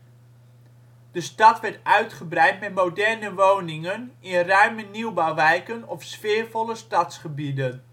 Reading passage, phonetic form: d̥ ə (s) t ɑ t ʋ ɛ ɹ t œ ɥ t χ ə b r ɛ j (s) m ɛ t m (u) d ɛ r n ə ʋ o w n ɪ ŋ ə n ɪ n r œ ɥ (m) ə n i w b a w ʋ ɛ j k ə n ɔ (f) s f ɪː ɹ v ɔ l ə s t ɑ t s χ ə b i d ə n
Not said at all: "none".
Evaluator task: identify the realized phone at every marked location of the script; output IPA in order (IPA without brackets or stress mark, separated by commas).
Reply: s, t, o, m, f